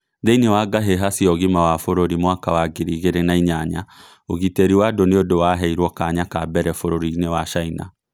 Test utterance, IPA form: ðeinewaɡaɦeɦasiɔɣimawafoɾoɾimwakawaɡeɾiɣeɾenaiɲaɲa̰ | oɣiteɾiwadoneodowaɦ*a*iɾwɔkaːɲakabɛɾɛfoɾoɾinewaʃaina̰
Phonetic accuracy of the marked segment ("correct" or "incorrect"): incorrect